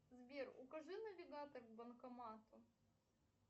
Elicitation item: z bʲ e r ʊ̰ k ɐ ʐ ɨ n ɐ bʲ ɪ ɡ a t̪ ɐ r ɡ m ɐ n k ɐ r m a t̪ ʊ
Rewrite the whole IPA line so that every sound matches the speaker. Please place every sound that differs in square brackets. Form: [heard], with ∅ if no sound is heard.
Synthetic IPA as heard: z bʲ e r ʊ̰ k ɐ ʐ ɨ n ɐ [vʲ] ɪ ɡ a t̪ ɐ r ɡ [b] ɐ n k ɐ [∅] m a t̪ ʊ